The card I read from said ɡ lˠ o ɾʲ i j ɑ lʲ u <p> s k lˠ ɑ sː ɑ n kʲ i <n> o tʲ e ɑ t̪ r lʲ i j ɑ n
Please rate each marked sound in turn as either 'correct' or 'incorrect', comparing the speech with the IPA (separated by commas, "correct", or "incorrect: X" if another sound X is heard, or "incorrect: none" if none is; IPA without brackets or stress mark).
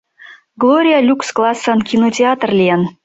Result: incorrect: k, correct